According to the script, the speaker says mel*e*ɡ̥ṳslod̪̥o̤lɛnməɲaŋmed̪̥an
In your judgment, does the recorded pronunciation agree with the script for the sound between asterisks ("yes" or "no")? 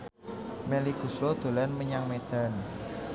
no